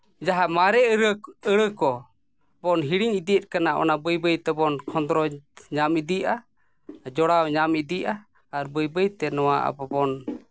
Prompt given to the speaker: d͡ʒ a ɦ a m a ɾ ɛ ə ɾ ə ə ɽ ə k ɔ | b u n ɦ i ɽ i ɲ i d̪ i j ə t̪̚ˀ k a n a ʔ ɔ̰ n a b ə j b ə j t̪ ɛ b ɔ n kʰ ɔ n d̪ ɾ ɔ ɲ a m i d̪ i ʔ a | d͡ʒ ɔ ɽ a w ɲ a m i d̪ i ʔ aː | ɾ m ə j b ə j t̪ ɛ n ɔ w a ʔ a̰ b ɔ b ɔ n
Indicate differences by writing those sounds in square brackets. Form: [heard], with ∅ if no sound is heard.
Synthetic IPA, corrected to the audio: d͡ʒ a ɦ a m a ɾ ɛ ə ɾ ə ə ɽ ə k ɔ | b [ɔ] n ɦ i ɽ i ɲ i d̪ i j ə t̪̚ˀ k a n a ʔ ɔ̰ n a b ə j b ə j t̪ ɛ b ɔ n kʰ ɔ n d̪ ɾ ɔ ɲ a m i d̪ i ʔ a | d͡ʒ ɔ ɽ a w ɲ a m i d̪ i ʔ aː | ɾ [b] ə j b ə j t̪ ɛ n ɔ w a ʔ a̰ b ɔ b ɔ n